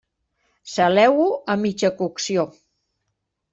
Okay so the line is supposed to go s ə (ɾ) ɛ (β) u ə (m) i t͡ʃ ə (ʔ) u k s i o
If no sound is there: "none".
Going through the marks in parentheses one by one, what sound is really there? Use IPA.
l, w, m, k

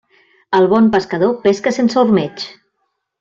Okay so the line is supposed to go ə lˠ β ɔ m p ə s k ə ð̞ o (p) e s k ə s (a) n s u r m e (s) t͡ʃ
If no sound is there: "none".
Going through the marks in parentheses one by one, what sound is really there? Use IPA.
p, e, none

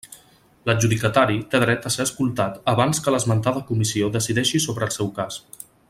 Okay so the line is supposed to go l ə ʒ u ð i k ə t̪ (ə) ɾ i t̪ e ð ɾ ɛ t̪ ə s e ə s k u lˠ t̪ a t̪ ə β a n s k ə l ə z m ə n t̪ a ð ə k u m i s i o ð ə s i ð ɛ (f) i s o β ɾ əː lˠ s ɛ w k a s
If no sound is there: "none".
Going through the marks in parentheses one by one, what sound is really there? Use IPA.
a, ʃ

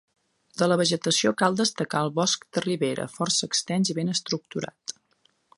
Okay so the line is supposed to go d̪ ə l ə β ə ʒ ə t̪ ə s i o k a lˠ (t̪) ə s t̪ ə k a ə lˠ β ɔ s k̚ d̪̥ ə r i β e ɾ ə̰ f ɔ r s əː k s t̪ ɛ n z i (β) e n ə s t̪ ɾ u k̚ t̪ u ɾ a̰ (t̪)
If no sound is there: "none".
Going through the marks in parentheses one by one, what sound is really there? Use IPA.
d̪, β, t̪

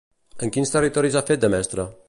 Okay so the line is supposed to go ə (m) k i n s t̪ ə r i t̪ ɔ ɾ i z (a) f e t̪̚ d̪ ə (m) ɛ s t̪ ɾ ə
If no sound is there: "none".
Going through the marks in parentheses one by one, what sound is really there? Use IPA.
ŋ, a, m

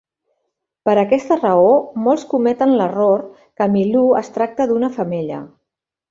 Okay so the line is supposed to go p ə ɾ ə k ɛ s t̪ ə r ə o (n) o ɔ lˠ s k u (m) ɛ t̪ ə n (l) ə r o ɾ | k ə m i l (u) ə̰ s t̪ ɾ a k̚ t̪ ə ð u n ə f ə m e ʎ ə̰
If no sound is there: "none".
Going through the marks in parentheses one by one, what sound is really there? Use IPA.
m, m, l, u

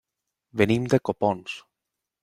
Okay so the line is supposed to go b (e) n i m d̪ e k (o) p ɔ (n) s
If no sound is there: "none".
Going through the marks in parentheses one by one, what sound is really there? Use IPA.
e, o, n

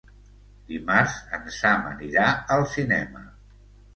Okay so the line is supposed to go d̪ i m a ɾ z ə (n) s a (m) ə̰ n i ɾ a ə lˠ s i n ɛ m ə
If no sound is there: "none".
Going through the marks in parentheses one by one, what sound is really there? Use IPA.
n, m

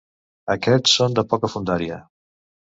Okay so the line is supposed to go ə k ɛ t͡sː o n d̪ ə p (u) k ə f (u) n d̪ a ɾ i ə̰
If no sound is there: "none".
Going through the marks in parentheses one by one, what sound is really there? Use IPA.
ɔ, u

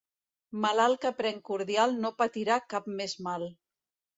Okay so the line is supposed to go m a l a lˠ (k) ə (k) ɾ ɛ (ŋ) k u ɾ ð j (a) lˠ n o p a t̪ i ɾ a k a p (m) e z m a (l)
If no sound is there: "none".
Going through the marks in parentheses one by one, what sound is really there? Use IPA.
k, p, ŋ, a, m, l

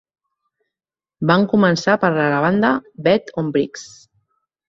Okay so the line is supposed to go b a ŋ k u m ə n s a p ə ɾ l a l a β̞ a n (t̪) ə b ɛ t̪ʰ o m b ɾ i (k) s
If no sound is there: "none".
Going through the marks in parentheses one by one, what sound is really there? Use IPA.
d̪, k

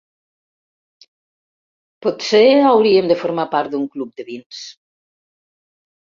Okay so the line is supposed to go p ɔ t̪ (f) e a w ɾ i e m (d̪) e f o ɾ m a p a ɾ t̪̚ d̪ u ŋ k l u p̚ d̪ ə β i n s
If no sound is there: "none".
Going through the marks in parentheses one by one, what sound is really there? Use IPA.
s, d̪

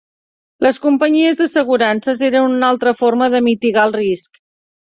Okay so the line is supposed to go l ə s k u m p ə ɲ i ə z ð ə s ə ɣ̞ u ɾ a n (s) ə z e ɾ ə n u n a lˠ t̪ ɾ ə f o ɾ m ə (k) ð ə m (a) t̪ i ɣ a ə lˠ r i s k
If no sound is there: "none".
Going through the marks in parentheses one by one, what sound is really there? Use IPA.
s, none, i

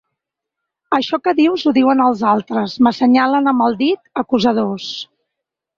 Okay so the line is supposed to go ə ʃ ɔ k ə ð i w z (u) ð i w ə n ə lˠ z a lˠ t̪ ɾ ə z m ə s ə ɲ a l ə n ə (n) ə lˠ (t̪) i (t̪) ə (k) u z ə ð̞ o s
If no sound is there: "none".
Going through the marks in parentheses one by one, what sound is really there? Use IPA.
u, m, d̪, t̪, k

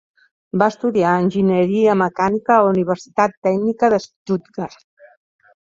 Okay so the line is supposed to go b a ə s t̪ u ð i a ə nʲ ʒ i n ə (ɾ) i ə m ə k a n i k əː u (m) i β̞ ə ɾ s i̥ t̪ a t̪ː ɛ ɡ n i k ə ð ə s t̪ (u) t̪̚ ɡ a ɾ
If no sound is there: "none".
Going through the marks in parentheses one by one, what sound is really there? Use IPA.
ɾ, n, u

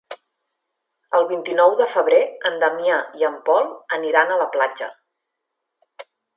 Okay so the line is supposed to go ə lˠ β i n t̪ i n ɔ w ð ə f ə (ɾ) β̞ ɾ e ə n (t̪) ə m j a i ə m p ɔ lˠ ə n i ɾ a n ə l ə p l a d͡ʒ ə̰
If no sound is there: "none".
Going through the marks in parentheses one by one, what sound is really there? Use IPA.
none, d̪

